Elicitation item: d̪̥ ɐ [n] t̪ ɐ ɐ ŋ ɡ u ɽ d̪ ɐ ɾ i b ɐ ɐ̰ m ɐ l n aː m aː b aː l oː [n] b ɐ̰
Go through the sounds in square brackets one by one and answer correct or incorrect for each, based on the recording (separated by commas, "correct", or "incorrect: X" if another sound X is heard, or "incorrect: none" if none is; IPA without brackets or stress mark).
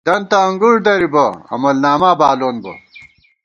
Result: correct, correct